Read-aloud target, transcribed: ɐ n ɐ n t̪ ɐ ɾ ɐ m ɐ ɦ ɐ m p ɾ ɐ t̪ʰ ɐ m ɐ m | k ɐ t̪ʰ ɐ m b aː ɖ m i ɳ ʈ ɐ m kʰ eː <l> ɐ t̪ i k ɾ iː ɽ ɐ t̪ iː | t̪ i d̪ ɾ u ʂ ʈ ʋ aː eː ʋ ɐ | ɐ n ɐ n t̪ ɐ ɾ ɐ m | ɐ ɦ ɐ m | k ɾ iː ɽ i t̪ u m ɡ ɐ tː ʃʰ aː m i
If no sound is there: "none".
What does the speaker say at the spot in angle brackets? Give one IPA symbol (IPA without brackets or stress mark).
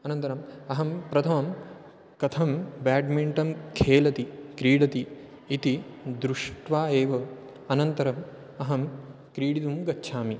l